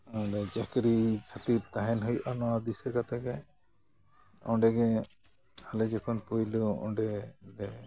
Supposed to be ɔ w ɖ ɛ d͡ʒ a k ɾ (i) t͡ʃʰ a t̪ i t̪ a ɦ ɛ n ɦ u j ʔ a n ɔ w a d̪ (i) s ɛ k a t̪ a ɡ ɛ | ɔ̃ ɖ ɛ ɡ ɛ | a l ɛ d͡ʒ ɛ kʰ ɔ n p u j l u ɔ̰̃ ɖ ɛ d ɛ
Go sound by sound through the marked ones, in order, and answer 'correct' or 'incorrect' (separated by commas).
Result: correct, correct